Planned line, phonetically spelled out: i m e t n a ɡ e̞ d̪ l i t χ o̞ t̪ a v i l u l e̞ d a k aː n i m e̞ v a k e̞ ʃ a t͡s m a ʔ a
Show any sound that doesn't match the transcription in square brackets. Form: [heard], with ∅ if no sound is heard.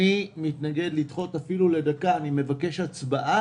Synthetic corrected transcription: i m [i] t n a ɡ e̞ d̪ l i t χ o̞ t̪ a [f] i l u l e̞ d a k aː n i m e̞ v a k e̞ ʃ a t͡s [b] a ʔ a